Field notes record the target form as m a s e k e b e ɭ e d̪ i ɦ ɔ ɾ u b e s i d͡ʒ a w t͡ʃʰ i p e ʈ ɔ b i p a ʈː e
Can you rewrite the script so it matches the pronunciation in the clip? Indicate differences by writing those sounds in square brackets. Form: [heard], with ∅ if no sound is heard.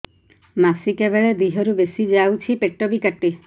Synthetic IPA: m a s [i] k e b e ɭ e d̪ i ɦ ɔ ɾ u b e s i d͡ʒ a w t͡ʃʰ i p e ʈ ɔ b i [k] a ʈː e